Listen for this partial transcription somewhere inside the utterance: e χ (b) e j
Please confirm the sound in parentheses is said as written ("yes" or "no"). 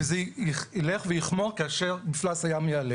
no